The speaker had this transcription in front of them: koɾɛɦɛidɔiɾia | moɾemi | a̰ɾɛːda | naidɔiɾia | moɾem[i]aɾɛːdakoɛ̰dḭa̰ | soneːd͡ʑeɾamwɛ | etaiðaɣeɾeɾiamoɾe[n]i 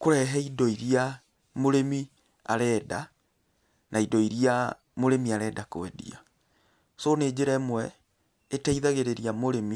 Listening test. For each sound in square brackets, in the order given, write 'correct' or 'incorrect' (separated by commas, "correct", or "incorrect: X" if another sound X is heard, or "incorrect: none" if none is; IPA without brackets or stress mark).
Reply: correct, incorrect: m